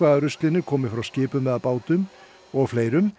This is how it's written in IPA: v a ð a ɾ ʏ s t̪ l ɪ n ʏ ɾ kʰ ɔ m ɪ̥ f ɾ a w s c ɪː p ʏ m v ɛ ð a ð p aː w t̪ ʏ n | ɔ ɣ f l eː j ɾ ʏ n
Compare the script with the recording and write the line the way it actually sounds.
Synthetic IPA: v a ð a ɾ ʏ s t̪ l ɪ n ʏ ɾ kʰ ɔː m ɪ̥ f ɾ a w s c ɪː p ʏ m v ɛ ð a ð p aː w t̪ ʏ m | ɔ ɣ f l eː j ɾ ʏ m